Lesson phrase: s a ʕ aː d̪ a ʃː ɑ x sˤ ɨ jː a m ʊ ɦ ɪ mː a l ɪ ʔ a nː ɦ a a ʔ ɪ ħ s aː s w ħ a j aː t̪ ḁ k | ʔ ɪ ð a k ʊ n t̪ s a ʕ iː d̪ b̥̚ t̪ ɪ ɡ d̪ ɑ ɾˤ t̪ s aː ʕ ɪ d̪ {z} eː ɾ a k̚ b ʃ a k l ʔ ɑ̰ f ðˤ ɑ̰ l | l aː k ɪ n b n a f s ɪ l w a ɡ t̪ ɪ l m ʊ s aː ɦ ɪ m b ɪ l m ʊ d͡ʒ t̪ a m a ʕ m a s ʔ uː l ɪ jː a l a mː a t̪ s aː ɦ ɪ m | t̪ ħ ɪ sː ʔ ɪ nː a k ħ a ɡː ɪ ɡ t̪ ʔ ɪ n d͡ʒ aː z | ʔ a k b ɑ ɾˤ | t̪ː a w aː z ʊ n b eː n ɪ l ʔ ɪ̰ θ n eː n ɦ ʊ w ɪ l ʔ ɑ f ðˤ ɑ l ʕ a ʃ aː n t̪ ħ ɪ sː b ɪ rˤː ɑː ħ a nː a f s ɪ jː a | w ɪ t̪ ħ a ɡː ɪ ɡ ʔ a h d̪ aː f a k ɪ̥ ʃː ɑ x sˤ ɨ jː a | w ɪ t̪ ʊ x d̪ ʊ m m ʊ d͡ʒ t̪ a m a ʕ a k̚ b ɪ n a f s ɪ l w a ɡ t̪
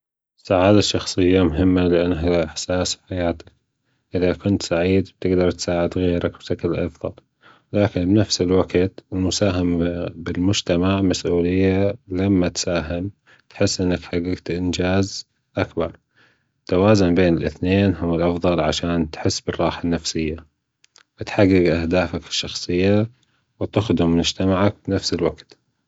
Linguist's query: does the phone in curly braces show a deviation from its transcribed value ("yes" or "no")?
yes